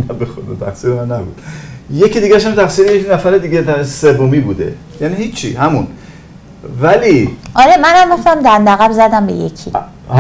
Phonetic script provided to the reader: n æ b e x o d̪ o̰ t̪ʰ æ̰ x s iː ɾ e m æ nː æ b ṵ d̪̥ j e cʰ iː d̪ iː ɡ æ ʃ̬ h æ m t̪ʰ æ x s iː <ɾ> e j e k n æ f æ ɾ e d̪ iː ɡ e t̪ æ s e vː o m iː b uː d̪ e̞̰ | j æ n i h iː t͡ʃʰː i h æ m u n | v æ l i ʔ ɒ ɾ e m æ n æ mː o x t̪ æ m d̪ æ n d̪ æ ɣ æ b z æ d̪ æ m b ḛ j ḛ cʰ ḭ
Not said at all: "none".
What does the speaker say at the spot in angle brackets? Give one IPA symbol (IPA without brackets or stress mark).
ɾ